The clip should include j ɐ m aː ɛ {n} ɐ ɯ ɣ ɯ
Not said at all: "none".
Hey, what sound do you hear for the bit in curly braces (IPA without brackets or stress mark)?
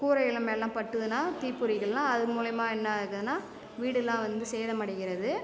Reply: nː